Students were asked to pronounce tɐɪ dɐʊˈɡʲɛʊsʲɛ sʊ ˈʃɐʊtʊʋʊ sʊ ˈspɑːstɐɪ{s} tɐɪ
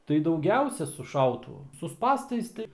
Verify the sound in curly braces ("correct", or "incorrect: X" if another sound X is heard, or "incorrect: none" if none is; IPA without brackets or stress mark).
correct